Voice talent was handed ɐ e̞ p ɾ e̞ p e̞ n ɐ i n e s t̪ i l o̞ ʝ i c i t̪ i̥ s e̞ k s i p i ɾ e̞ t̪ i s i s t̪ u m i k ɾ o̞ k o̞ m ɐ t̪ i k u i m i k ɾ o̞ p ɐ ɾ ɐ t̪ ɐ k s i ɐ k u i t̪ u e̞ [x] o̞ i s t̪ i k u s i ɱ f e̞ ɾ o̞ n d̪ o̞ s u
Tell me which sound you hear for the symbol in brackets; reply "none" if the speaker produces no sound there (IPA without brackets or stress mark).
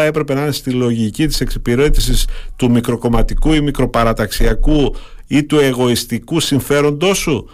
ɣ